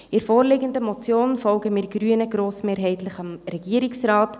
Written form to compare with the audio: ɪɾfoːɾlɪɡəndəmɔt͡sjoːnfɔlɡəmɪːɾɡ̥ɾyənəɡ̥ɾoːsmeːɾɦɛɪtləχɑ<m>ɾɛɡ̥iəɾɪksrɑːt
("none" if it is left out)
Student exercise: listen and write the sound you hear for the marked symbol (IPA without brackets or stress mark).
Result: m